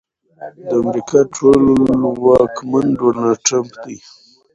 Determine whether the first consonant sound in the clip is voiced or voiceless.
voiced